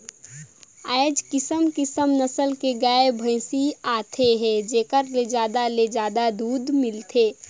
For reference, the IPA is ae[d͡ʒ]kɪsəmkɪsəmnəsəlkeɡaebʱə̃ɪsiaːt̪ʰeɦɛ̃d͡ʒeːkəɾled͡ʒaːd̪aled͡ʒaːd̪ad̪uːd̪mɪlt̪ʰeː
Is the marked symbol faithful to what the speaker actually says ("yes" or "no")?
yes